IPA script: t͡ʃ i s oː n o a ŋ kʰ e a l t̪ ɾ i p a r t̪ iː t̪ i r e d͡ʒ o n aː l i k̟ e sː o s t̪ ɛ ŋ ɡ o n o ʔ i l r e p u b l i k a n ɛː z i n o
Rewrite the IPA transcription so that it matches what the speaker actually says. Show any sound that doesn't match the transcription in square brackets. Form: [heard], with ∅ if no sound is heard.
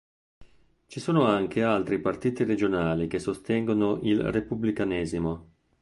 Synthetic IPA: t͡ʃ i s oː n o a ŋ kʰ e a l t̪ ɾ i p a r t̪ iː t̪ i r e d͡ʒ o n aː l i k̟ e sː o s t̪ ɛ ŋ ɡ o n o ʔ i l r e p u b l i k a n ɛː z i [m] o